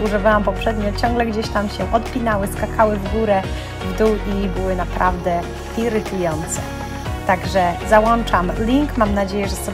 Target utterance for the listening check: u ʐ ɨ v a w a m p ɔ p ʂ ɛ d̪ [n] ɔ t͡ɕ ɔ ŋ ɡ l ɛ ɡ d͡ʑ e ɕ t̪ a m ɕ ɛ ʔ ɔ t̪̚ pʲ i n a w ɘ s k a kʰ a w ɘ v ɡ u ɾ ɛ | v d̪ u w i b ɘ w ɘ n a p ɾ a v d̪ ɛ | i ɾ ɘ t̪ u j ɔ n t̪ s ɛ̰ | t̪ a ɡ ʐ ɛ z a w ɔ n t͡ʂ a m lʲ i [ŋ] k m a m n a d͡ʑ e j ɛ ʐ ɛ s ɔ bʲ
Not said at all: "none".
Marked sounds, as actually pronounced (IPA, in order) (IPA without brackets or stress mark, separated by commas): ɲ, ŋ